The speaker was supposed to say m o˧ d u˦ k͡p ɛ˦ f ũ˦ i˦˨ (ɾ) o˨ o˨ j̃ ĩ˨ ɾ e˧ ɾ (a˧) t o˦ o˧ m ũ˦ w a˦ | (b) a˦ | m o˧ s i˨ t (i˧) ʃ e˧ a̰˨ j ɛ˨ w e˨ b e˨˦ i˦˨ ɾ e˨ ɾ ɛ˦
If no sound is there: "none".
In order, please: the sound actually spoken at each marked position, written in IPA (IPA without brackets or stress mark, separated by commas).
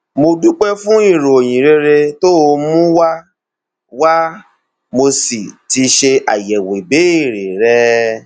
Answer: ɾ, e˧, w, i˧